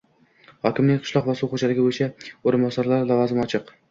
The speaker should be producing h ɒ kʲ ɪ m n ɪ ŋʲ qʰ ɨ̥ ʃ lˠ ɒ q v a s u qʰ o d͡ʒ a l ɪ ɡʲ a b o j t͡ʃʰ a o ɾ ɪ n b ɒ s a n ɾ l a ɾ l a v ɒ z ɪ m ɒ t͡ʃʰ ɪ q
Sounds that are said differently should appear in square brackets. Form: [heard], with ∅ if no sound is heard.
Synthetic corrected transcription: h ɒ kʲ ɪ m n ɪ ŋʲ qʰ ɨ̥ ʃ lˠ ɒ q v a s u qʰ o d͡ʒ a l ɪ ɡʲ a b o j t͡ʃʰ a o ɾ ɪ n b ɒ s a [∅] ɾ l a ɾ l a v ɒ z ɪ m ɒ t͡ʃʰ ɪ q